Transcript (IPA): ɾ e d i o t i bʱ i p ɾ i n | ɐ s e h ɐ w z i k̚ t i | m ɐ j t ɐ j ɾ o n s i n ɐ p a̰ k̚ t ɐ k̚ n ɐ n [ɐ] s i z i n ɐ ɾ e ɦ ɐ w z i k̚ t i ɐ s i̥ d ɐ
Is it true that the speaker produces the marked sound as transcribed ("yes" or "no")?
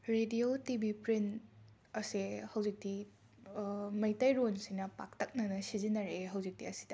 yes